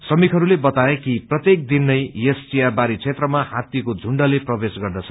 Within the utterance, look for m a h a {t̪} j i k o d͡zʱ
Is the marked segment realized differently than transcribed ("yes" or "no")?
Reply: no